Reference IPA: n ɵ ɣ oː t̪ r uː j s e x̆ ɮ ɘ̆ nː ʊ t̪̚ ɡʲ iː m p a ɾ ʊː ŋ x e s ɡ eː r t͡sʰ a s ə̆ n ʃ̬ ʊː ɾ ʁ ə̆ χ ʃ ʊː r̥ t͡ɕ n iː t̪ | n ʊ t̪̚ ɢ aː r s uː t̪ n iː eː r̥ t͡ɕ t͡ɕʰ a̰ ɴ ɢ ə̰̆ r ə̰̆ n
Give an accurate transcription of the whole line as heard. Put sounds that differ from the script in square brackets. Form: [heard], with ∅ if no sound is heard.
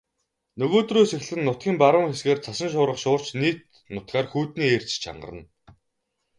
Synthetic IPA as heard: n ɵ ɣ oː t̪ r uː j s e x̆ ɮ ɘ̆ nː ʊ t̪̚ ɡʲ iː m p a ɾ ʊː ŋ x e s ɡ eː r t͡sʰ a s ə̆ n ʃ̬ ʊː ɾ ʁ ə̆ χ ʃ ʊː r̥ t͡ɕ n iː t̪ | n ʊ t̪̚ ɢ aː r [x] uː t̪ n iː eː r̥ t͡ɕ t͡ɕʰ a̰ ɴ ɢ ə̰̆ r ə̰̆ n